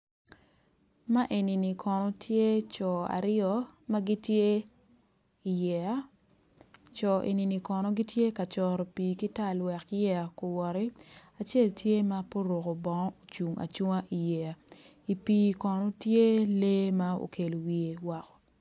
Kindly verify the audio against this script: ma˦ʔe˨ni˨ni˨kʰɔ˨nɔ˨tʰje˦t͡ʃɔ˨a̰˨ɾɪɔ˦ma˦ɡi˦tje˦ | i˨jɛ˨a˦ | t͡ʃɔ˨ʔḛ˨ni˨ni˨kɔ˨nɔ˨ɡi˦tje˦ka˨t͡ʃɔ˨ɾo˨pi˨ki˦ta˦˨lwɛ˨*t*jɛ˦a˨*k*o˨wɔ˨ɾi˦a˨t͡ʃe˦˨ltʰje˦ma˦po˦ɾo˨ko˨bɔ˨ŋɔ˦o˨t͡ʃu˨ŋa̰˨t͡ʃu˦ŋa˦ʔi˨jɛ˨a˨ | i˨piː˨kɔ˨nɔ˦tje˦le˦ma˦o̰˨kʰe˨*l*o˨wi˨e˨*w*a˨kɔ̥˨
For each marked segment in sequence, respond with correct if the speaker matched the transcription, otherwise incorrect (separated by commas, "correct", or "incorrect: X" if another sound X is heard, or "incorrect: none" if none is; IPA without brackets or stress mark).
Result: incorrect: k, correct, correct, correct